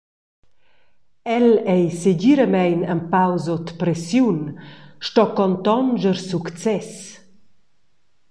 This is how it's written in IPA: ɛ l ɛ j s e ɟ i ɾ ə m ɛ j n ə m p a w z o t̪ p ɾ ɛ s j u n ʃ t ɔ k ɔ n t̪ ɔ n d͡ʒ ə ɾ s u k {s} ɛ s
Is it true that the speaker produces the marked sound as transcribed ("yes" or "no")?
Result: no